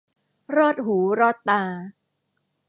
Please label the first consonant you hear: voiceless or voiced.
voiced